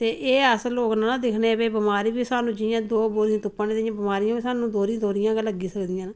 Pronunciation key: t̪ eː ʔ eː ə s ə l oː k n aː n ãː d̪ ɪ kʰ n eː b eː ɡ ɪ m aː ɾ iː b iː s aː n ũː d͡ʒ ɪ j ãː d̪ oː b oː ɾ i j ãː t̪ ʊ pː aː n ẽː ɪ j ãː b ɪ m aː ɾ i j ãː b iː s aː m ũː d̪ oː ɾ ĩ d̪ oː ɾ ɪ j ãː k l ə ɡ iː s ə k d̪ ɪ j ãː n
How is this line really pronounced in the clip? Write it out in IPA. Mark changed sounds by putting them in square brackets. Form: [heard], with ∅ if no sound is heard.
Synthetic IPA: t̪ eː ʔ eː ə s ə l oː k n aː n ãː d̪ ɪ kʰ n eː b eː [b] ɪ m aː ɾ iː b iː s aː n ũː d͡ʒ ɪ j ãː d̪ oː b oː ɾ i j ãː t̪ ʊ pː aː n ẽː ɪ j ãː b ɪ m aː ɾ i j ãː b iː s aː [n] ũː d̪ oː ɾ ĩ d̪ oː ɾ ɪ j ãː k l ə ɡ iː s ə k d̪ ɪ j ãː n